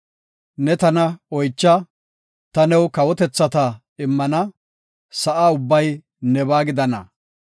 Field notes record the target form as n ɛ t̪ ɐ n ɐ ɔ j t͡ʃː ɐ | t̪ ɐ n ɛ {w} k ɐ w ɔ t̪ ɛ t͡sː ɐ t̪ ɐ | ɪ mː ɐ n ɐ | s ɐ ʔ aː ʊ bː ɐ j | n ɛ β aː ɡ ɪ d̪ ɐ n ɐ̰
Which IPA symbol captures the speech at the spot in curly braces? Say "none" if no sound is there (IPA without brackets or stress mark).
w